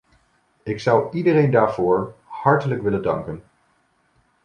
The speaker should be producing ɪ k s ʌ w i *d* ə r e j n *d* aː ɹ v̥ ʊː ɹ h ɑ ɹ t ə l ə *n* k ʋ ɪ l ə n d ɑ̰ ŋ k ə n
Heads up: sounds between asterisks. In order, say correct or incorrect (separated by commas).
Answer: correct, correct, incorrect